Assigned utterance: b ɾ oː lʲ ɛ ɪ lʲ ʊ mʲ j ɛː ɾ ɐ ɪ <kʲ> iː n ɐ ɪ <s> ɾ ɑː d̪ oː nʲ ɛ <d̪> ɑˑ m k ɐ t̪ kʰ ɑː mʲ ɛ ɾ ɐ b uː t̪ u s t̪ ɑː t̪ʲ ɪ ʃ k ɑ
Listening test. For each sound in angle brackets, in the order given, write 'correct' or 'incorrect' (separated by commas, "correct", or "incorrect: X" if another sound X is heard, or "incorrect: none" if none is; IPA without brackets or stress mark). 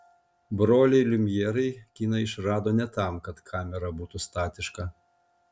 correct, incorrect: ʃ, incorrect: t̪